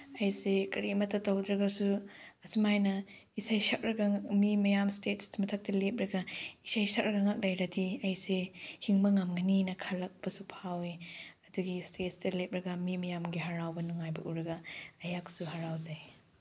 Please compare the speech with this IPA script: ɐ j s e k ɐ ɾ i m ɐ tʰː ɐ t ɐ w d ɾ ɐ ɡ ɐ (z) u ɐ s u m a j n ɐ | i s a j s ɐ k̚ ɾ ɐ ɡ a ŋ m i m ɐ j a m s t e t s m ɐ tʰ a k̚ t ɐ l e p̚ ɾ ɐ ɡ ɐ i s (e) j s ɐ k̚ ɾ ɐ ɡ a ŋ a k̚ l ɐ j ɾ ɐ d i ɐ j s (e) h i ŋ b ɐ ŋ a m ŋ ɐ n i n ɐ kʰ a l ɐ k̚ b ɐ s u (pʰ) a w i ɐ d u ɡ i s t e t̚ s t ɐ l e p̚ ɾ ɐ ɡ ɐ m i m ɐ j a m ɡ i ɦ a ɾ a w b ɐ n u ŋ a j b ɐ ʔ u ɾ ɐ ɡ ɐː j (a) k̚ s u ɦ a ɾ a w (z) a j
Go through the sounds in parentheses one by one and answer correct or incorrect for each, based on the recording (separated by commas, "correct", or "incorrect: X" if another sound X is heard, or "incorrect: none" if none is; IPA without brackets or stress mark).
incorrect: s, incorrect: a, correct, correct, correct, correct